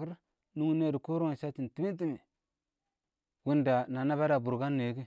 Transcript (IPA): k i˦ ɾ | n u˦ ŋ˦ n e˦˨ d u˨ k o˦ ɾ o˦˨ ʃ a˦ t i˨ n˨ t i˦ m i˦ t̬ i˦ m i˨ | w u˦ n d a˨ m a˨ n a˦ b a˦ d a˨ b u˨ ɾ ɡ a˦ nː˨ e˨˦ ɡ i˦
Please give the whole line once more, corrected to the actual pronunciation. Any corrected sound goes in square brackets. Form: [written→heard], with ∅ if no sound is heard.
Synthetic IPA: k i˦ ɾ | n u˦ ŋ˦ n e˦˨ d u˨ k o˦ ɾ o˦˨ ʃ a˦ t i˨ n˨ t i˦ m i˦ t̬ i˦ m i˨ | w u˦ n d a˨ [m→n] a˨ n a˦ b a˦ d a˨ b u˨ ɾ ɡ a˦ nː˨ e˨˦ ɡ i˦